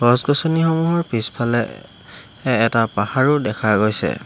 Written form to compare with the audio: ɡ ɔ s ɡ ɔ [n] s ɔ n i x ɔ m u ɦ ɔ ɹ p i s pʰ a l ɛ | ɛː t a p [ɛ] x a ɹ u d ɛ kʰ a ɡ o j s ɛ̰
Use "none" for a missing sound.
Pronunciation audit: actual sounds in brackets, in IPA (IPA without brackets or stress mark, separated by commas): none, a